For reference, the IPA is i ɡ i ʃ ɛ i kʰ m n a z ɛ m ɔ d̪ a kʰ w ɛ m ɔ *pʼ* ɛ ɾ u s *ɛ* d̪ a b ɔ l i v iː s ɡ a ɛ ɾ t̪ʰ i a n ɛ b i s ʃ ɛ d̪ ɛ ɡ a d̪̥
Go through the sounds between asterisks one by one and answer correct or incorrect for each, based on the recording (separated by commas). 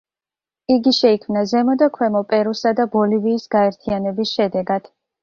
correct, incorrect